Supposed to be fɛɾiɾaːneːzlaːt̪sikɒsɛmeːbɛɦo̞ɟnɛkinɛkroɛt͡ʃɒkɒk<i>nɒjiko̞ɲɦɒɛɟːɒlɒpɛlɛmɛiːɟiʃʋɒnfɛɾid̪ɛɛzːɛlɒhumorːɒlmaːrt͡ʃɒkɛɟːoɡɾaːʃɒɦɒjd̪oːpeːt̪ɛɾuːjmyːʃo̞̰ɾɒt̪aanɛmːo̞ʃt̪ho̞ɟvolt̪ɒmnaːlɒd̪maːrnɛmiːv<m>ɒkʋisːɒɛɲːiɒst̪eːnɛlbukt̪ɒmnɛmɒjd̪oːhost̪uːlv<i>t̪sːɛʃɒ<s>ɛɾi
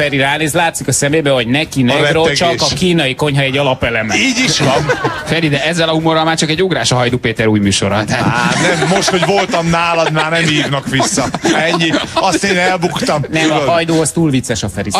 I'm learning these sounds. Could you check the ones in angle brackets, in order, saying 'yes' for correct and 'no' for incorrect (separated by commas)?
no, no, yes, no